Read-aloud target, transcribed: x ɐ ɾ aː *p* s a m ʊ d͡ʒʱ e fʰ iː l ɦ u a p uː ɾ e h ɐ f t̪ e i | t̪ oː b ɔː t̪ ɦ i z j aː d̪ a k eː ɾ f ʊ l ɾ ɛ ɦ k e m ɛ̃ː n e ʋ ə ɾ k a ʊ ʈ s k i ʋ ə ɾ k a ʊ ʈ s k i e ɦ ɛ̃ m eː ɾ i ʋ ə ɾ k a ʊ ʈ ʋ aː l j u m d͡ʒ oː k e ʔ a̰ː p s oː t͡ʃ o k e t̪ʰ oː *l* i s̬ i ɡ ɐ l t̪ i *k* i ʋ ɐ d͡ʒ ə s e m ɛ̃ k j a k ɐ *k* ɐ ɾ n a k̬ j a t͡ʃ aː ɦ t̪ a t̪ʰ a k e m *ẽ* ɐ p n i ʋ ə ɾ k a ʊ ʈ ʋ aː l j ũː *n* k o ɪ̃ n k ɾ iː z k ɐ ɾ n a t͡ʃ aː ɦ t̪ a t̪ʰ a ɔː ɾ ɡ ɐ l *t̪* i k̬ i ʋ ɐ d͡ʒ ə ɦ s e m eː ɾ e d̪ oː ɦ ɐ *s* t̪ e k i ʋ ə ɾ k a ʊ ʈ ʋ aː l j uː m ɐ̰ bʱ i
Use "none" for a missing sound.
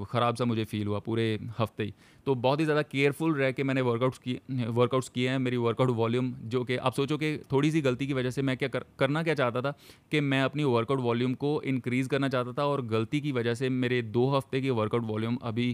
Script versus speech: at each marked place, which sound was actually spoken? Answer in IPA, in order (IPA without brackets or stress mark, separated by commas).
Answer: b, ɽ, k, k, ɛ̃, m, t̪, f